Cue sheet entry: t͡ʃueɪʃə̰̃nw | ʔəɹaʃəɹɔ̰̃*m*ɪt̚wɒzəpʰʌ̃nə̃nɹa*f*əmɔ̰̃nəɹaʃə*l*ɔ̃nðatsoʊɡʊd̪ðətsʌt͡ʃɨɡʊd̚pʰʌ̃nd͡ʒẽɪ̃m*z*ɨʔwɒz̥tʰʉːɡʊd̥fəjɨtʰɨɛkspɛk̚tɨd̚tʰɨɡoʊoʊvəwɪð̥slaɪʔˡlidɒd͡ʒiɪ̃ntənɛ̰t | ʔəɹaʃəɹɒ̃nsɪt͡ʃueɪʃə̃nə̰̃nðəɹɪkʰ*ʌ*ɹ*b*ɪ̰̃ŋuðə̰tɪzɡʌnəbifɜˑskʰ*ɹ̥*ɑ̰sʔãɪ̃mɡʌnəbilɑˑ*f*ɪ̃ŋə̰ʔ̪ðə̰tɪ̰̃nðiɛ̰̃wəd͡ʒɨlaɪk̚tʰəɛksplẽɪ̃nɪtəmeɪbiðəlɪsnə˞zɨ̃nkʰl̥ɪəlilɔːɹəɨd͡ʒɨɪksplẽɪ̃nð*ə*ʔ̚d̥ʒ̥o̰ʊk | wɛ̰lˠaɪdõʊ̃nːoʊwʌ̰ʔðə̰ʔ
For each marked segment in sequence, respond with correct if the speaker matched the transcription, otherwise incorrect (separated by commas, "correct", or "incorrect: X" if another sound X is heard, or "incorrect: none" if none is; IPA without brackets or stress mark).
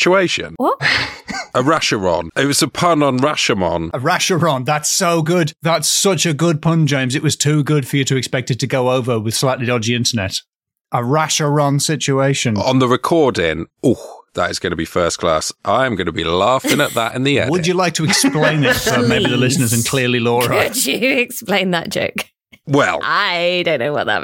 incorrect: n, incorrect: ʃ, incorrect: ɹ, correct, incorrect: ɔ, incorrect: d, incorrect: l̥, correct, correct